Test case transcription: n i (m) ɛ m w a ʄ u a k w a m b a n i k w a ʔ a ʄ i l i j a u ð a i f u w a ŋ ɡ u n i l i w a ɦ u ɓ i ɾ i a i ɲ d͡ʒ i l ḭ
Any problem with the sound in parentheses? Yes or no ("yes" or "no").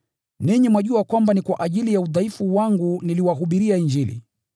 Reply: yes